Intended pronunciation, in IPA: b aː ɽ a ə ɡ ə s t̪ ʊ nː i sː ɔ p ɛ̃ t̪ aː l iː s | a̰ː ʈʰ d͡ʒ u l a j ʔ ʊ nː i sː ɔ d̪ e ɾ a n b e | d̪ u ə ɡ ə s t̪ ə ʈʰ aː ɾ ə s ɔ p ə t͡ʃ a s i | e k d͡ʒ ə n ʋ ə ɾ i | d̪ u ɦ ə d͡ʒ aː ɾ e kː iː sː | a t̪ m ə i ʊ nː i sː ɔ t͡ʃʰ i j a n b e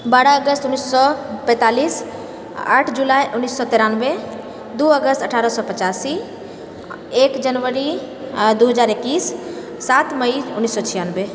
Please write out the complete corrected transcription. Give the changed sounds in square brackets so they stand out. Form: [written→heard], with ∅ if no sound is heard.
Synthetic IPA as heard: b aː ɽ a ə ɡ ə s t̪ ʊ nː i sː ɔ p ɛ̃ t̪ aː l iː s | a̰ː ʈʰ d͡ʒ u l a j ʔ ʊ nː i sː ɔ [d̪→t̪] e ɾ a n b e | d̪ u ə ɡ ə s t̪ ə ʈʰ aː ɾ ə s ɔ p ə t͡ʃ a s i | e k d͡ʒ ə n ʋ ə ɾ i | d̪ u ɦ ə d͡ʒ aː ɾ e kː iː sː | a t̪ m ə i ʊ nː i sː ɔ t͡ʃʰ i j a n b e